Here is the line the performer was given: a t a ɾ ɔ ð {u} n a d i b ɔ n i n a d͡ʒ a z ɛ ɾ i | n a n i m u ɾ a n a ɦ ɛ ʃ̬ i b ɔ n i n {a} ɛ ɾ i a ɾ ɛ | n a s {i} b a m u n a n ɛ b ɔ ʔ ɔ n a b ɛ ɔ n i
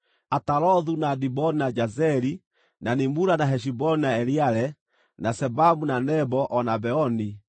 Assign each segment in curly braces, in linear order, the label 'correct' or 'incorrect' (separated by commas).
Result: correct, correct, incorrect